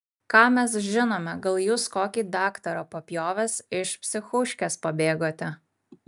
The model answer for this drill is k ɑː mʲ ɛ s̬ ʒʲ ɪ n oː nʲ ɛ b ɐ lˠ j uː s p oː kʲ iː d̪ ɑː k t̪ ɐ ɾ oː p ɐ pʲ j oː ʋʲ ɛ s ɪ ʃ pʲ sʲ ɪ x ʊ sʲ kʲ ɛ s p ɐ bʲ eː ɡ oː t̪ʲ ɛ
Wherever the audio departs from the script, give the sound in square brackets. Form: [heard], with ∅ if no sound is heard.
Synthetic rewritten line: k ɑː mʲ ɛ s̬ ʒʲ ɪ n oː [mʲ] ɛ [ɡ] ɐ lˠ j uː s [k] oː kʲ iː d̪ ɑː k t̪ ɐ ɾ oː p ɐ pʲ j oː ʋʲ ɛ s ɪ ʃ pʲ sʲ ɪ x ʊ [ʃʲ] kʲ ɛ s p ɐ bʲ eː ɡ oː t̪ʲ ɛ